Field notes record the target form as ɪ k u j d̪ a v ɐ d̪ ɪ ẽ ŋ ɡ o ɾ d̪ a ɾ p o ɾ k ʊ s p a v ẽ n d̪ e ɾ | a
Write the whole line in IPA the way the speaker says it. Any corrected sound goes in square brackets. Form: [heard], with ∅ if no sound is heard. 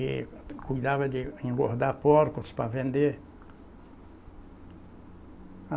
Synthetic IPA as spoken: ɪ k u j d̪ a v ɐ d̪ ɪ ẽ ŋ ɡ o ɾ d̪ a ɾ p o ɾ k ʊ s p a v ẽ n d̪ e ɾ | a